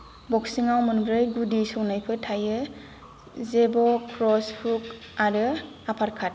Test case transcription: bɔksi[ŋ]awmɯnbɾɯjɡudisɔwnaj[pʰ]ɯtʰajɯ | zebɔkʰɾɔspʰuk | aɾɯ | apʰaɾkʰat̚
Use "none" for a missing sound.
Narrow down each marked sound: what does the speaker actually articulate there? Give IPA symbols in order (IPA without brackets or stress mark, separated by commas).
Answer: ŋ, pʰ